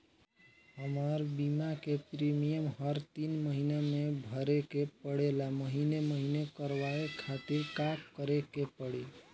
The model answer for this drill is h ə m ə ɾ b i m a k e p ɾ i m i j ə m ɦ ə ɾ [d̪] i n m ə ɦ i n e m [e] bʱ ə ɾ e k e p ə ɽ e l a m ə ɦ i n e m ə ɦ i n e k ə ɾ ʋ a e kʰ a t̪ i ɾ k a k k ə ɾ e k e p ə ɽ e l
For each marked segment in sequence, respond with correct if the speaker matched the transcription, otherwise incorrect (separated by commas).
incorrect, correct